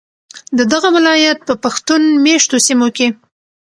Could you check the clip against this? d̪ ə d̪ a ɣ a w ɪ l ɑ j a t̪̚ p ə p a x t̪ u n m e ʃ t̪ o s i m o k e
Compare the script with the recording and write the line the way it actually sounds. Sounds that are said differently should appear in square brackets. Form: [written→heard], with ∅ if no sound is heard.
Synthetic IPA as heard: d̪ ə d̪ a ɣ a w ɪ l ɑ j a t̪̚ p ə p a x t̪ u n m e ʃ t̪ o s i m o k e